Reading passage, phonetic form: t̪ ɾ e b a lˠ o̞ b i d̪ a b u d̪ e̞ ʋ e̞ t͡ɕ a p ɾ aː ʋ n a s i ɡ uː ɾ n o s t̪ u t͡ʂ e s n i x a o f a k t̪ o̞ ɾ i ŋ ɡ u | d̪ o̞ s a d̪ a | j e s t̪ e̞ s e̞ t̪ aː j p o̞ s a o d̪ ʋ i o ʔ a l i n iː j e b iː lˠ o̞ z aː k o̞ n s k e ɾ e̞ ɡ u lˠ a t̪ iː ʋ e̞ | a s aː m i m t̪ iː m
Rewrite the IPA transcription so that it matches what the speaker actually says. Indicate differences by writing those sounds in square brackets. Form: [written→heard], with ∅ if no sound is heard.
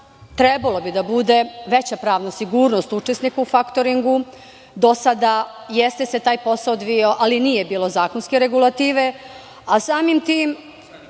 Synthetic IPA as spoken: t̪ ɾ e b a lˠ o̞ b i d̪ a b u d̪ e̞ ʋ e̞ t͡ɕ a p ɾ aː ʋ n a s i ɡ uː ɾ n o s t̪ u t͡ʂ e s n i [x→k] a [o→u] f a k t̪ o̞ ɾ i ŋ ɡ u | d̪ o̞ s a d̪ a | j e s t̪ e̞ s e̞ t̪ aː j p o̞ s a o d̪ ʋ i o ʔ a l i n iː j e b iː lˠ o̞ z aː k o̞ n s k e ɾ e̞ ɡ u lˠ a t̪ iː ʋ e̞ | a s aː m i m t̪ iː m